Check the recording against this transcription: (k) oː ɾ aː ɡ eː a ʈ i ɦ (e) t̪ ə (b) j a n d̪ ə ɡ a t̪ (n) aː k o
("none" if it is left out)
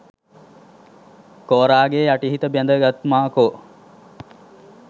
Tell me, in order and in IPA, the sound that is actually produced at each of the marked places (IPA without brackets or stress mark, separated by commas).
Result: k, i, b, m